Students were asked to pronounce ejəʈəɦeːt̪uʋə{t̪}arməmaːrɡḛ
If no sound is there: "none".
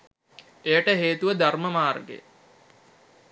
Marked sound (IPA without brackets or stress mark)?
d̪